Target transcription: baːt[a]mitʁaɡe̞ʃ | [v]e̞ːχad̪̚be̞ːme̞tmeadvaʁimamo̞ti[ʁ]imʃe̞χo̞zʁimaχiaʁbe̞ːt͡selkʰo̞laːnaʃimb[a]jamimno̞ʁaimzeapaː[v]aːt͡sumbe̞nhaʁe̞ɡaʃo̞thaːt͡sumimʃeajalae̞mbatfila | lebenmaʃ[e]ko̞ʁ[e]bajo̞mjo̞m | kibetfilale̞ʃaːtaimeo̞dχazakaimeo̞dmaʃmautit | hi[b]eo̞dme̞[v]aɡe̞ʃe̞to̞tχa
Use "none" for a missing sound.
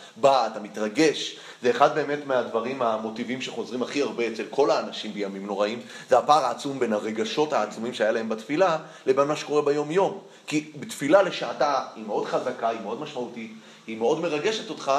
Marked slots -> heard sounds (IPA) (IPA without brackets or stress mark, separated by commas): a, z, v, e, ʁ, e, e, m, ʁ